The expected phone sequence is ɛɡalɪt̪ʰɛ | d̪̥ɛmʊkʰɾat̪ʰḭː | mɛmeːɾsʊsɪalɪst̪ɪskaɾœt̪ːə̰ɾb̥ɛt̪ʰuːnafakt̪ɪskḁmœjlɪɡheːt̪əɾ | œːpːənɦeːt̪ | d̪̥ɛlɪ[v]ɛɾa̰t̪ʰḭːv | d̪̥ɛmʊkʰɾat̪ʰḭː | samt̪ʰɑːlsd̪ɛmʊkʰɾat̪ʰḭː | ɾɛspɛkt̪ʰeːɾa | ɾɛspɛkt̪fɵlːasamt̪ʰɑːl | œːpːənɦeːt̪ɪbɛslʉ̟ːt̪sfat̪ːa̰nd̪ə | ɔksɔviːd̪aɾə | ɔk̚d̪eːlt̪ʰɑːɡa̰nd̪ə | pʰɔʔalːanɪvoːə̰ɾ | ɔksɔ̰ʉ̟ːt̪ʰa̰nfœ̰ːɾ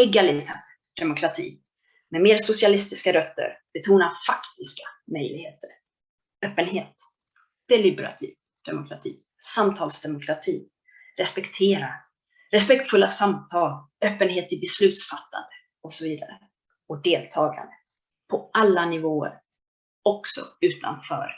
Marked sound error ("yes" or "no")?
yes